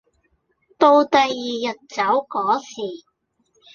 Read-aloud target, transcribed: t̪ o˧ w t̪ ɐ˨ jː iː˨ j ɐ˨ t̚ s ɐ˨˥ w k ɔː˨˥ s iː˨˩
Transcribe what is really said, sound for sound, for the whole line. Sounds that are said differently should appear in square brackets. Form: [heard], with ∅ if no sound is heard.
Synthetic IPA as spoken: t̪ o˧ w t̪ ɐ˨ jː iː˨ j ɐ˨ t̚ [t͡s] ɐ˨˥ w k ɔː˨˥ s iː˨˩